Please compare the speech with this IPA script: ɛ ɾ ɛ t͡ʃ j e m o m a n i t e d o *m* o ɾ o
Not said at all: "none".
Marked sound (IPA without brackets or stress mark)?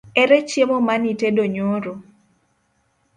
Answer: ɲ